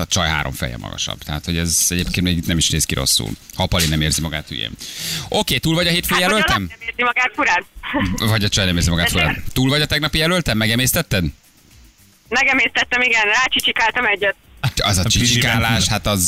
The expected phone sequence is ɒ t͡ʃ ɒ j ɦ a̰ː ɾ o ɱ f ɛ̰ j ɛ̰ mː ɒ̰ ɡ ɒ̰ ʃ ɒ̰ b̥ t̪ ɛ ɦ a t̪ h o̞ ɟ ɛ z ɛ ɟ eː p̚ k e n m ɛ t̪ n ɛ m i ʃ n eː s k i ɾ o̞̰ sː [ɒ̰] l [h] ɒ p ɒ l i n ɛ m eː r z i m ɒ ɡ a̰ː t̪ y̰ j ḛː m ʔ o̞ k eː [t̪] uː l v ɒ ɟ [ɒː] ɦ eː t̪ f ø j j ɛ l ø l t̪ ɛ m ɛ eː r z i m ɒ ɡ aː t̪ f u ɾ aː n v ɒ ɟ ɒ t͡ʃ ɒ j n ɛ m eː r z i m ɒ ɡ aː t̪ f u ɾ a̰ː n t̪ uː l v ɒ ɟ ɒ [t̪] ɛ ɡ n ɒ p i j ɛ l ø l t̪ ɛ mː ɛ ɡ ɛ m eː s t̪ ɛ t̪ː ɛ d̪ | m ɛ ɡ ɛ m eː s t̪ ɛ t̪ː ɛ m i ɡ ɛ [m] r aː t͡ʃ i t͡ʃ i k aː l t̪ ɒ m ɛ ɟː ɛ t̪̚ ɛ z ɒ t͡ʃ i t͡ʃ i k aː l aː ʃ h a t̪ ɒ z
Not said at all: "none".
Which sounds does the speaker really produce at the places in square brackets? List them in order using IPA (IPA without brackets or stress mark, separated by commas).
ṵ, h, t̪, ɒ, t̪, n